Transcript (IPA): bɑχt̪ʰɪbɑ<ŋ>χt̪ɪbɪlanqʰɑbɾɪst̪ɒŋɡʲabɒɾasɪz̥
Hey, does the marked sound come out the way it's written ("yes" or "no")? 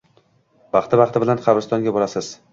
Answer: no